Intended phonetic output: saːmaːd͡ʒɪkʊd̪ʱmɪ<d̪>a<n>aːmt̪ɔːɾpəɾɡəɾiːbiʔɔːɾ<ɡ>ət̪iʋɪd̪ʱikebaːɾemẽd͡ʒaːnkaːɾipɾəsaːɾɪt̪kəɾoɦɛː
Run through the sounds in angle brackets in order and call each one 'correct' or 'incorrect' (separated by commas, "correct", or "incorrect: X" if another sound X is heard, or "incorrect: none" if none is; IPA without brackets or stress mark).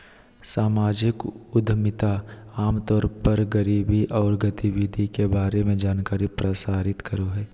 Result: incorrect: t̪, incorrect: none, correct